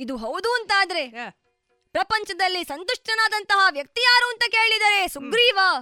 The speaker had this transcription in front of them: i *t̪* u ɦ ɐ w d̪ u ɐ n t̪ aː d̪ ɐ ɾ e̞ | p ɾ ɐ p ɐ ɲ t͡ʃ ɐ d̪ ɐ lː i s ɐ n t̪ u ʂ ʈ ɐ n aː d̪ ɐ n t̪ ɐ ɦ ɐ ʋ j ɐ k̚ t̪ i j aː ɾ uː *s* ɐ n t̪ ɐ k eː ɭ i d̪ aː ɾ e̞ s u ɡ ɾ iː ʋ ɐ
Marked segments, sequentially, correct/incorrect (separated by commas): incorrect, incorrect